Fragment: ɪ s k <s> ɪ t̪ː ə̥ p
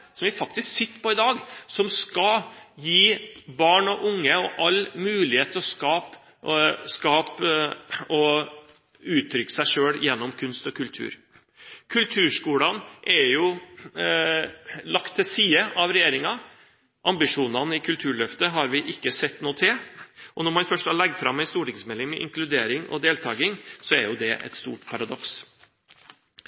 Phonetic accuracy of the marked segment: correct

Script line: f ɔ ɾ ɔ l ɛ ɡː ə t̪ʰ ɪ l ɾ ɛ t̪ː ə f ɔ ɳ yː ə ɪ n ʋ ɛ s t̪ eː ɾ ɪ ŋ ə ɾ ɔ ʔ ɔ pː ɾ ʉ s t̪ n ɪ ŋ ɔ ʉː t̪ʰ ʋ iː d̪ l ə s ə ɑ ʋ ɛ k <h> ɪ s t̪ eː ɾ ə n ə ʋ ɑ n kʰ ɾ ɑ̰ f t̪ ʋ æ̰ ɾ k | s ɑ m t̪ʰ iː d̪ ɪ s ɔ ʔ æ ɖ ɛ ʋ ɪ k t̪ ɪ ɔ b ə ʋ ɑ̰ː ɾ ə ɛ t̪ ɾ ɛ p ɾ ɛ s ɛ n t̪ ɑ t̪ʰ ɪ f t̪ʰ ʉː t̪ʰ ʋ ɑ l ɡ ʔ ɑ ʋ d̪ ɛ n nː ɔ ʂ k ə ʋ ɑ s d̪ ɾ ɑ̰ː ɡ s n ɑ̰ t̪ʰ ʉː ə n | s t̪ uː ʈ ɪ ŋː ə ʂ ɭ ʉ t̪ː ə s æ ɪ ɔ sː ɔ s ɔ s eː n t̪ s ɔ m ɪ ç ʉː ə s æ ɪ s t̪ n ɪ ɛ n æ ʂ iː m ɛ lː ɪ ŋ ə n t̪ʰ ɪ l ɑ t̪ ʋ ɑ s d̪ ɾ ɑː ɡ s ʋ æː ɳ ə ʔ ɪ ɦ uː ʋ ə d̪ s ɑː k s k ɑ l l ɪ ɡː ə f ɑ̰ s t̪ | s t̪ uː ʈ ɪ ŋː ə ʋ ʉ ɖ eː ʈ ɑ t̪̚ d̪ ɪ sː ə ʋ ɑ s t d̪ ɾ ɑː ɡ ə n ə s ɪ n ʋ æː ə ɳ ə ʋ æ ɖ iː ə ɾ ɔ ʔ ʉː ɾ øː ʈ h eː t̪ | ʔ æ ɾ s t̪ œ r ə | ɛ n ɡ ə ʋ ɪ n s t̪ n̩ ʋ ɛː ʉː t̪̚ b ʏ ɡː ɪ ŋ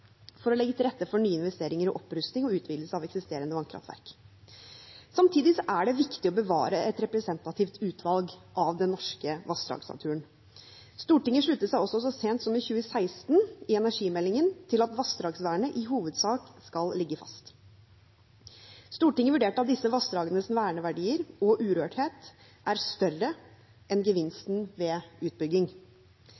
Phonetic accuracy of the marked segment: incorrect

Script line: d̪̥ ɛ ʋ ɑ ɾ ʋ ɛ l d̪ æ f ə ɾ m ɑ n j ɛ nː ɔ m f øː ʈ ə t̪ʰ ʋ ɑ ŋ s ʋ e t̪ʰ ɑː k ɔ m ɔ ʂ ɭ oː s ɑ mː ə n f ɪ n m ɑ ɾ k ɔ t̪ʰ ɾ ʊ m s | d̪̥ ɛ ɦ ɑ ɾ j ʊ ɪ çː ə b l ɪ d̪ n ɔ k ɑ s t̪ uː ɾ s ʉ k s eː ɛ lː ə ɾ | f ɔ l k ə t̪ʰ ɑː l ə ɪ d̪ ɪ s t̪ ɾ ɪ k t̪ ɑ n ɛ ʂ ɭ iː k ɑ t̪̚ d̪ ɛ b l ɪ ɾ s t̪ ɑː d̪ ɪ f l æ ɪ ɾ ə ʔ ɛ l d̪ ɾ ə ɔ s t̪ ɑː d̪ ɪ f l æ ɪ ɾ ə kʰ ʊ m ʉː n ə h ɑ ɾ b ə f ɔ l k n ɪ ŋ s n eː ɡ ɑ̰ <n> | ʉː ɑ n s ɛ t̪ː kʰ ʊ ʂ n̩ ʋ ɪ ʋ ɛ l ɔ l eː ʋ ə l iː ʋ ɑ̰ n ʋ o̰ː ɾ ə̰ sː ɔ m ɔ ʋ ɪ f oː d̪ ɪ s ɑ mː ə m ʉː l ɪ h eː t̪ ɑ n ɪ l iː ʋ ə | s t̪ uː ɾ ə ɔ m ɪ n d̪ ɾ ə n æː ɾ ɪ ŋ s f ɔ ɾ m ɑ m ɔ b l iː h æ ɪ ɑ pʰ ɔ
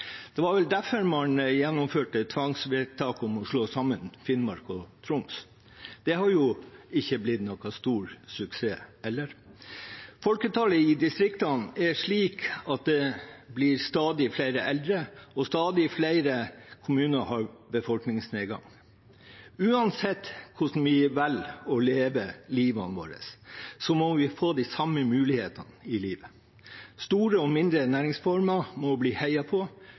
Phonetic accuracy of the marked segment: incorrect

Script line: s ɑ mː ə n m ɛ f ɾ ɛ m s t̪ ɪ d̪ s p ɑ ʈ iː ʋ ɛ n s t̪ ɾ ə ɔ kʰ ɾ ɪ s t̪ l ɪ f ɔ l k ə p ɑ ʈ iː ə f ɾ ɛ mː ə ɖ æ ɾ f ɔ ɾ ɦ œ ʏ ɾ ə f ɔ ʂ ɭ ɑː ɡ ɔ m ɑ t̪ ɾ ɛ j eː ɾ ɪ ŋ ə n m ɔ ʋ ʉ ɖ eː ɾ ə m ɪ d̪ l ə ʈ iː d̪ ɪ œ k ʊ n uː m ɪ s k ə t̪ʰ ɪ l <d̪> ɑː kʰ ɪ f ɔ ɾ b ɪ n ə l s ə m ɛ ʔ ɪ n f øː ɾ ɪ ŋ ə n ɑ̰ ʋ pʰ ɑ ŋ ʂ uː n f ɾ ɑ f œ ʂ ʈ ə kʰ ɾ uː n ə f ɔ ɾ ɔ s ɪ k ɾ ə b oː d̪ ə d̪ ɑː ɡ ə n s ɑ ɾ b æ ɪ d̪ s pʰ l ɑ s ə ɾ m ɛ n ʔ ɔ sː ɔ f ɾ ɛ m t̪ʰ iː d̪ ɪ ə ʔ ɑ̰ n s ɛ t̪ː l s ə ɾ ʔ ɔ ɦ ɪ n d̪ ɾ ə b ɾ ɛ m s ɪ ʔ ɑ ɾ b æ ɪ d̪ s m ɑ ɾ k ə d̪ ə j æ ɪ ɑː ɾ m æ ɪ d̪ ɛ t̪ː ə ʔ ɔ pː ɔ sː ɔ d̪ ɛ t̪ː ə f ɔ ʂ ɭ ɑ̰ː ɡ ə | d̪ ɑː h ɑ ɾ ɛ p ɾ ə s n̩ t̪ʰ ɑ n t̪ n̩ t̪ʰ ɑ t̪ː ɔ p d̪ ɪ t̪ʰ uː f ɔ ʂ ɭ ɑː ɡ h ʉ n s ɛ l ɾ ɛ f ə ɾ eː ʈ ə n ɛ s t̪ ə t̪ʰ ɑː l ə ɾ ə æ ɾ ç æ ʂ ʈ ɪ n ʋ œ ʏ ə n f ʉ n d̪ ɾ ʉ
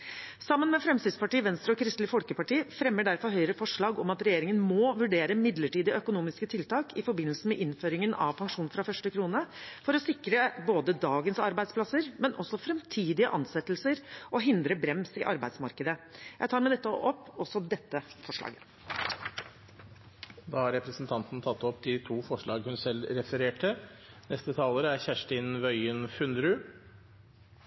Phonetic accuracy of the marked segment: incorrect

